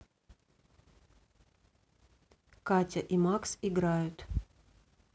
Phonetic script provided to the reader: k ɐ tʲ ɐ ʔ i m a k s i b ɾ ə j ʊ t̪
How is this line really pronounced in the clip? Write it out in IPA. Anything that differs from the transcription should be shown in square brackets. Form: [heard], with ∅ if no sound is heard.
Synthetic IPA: k [a] tʲ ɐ ʔ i m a k s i [ɡ] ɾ [a] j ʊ t̪

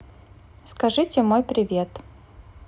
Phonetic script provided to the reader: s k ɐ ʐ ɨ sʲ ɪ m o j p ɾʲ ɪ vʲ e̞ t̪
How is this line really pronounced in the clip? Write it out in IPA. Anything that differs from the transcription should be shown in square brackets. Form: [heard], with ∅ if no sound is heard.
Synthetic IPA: s k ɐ ʐ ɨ [tʲ] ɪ m o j p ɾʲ ɪ vʲ e̞ t̪

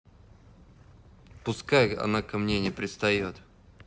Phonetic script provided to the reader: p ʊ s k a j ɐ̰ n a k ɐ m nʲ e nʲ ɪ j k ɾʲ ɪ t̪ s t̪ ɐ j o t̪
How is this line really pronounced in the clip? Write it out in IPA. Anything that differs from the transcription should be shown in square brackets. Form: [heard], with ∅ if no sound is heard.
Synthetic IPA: p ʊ s k a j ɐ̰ n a k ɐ m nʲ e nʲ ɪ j [p] ɾʲ ɪ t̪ s t̪ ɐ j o t̪

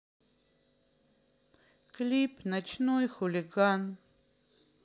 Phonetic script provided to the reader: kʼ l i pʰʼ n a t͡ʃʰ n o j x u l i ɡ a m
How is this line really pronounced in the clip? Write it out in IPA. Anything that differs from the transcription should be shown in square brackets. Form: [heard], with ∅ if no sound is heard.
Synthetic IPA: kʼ l i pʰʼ n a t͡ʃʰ n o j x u l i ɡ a [n]

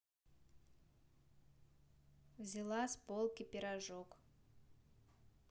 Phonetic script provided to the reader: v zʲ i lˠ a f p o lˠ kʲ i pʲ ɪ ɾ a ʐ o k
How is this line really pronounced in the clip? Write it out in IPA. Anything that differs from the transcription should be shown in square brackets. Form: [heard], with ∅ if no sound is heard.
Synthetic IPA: v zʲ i lˠ a [s] p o lˠ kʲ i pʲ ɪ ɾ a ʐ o k

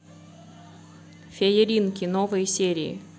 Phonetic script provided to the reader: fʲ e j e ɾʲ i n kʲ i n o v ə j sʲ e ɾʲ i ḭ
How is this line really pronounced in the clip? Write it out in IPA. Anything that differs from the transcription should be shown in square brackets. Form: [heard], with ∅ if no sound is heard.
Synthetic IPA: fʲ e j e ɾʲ i n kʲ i n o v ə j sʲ e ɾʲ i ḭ

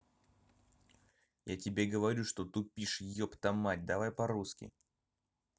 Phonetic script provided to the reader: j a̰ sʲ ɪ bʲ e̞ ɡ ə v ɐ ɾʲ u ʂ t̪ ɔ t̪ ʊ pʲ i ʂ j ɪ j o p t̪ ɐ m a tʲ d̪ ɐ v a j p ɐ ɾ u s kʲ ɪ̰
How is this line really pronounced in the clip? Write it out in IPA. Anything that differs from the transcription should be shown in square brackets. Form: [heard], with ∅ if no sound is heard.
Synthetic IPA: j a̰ [tʲ] ɪ bʲ e̞ ɡ ə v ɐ ɾʲ u ʂ t̪ [o] t̪ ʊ pʲ i ʂ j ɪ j o p t̪ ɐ m a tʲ d̪ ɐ v a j p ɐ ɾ u s kʲ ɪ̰

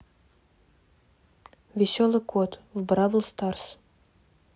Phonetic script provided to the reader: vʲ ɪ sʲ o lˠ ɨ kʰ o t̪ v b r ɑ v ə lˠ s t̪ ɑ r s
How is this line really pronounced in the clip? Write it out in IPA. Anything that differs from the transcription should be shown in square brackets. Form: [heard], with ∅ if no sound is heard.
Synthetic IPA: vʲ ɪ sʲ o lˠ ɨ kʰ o t̪ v b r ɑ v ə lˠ s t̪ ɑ r s

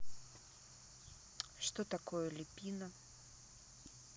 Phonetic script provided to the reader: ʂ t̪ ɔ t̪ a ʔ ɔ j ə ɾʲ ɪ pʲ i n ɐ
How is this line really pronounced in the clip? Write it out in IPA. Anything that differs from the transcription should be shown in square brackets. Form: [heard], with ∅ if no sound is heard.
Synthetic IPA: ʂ t̪ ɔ t̪ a [k] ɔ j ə [lʲ] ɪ pʲ i n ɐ

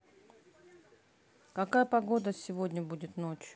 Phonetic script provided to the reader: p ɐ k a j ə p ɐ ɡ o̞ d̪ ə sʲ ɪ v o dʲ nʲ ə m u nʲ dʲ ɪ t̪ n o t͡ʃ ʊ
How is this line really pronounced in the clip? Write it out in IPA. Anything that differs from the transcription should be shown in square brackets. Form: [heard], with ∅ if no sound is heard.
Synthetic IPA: [k] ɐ k a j ə p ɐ ɡ o̞ d̪ ə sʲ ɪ v o dʲ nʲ ə [b] u [∅] dʲ ɪ t̪ n o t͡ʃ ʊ

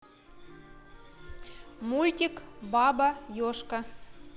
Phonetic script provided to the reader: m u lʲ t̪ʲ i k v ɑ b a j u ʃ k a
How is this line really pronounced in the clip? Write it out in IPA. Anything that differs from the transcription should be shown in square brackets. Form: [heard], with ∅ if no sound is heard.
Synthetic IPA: m u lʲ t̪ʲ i k [b] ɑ b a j [o] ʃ k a

